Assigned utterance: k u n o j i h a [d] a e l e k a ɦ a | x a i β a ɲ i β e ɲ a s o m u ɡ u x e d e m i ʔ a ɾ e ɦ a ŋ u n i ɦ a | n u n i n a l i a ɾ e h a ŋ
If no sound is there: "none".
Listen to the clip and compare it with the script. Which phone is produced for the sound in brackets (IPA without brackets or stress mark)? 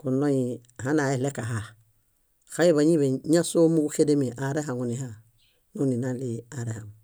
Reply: n